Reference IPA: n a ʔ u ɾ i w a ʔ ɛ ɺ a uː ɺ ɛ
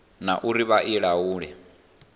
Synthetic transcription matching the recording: n a ʔ u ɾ i β a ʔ i ɺ a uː ɺ ɛ